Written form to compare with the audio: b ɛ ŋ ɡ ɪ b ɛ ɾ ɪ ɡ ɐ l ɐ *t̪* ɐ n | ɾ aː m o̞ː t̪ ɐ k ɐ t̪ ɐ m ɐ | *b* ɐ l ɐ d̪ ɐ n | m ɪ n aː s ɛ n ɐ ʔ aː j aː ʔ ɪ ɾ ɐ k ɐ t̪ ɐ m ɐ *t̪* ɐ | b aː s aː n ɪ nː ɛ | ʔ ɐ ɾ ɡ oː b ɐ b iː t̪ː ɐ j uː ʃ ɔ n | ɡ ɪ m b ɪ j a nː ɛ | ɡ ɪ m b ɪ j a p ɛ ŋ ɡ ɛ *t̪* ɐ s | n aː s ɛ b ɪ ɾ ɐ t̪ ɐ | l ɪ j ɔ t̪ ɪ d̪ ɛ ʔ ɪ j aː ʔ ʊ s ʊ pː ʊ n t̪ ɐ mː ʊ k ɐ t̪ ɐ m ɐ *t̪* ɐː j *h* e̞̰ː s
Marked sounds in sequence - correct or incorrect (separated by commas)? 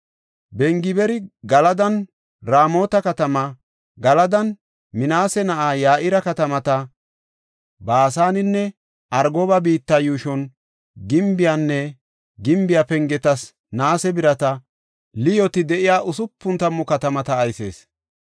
incorrect, incorrect, correct, correct, correct, incorrect